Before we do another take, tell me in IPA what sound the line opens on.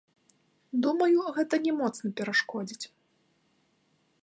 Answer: d̪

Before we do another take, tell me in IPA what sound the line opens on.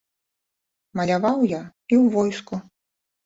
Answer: m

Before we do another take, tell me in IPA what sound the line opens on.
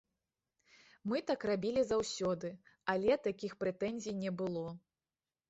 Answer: m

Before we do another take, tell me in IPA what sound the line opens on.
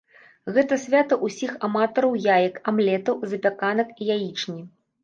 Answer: ɣ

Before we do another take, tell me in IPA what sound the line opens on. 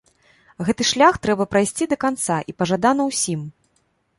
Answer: ɣ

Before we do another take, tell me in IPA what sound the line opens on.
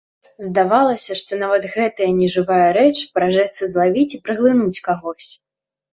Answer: z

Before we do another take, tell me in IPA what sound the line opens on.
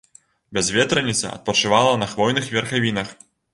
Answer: bʲ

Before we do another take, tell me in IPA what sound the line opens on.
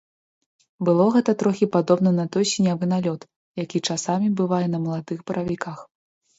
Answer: b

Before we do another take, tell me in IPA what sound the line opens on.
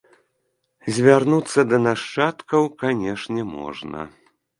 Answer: zʲ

